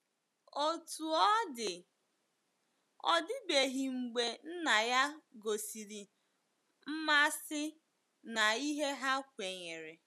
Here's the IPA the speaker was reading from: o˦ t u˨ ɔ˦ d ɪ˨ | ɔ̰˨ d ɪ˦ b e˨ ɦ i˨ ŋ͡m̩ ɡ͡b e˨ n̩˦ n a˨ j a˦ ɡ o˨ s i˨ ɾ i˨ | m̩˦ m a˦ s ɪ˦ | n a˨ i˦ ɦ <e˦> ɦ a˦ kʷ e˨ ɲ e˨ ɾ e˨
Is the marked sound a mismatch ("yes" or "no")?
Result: no